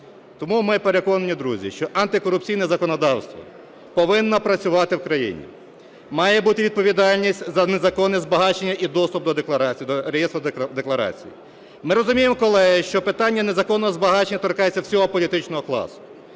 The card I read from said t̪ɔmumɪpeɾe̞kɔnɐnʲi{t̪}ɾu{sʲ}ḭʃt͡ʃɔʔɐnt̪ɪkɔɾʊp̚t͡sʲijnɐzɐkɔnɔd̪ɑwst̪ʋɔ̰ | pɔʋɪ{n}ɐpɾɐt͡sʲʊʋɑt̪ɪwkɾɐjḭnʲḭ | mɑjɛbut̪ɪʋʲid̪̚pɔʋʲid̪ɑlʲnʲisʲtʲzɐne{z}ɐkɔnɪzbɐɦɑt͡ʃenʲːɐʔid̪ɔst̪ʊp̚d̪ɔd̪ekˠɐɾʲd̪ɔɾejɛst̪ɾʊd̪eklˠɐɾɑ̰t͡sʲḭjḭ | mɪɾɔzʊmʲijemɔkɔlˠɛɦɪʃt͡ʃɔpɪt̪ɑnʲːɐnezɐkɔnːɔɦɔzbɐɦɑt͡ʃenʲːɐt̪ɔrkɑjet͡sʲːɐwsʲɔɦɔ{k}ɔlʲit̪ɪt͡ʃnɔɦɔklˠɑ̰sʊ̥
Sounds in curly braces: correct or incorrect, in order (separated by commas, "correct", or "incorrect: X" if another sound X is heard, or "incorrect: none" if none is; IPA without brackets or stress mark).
incorrect: d̪, incorrect: zʲ, incorrect: nː, correct, incorrect: p